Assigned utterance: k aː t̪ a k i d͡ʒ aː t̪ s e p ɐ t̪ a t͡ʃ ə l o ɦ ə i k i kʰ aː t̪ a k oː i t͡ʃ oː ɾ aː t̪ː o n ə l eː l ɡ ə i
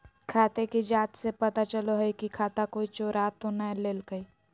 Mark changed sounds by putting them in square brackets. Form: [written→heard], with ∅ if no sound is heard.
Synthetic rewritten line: [k→kʰ] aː t̪ [a→e] k i d͡ʒ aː t̪ s e p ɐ t̪ a t͡ʃ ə l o ɦ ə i k i kʰ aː t̪ a k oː i t͡ʃ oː ɾ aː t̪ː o n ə l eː l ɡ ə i